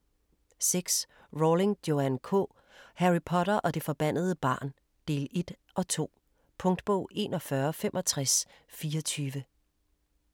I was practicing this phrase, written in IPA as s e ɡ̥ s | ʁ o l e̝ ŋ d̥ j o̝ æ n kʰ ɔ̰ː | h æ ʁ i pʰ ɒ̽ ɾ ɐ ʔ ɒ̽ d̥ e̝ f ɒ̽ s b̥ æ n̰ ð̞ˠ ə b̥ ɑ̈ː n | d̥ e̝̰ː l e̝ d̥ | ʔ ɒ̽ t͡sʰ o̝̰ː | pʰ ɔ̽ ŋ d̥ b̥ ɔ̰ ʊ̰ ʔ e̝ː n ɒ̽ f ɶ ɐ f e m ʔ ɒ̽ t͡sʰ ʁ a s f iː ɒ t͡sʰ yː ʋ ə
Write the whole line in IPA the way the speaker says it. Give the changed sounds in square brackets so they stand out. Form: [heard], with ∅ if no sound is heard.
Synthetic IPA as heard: s e ɡ̥ s | ʁ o l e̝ ŋ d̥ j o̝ æ n kʰ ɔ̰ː | h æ ʁ i pʰ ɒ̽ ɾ ɐ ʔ ɒ̽ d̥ e̝ f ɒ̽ [∅] b̥ æ n̰ ð̞ˠ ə b̥ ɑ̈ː n | d̥ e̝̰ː l e̝ d̥ | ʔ ɒ̽ t͡sʰ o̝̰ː | pʰ ɔ̽ ŋ d̥ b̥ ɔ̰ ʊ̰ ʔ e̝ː n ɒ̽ f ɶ ɐ f e m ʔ ɒ̽ t͡sʰ ʁ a s f iː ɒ t͡sʰ yː ʋ ə